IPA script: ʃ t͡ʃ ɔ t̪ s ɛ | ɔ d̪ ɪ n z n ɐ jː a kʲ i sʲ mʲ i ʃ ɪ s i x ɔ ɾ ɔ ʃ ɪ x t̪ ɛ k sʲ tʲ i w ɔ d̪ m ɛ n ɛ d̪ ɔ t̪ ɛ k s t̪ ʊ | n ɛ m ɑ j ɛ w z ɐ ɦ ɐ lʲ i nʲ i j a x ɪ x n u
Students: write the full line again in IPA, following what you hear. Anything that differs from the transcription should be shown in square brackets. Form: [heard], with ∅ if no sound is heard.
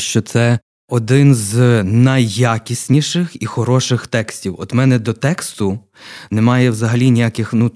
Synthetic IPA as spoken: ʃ t͡ʃ ɔ t̪ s ɛ | ɔ d̪ ɪ n z n ɐ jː a kʲ i sʲ [nʲ] i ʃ ɪ [x] i x ɔ ɾ ɔ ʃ ɪ x t̪ ɛ k sʲ tʲ i w ɔ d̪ m ɛ n ɛ d̪ ɔ t̪ ɛ k s t̪ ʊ | n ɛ m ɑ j ɛ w z ɐ ɦ ɐ lʲ i nʲ i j a [k] ɪ x n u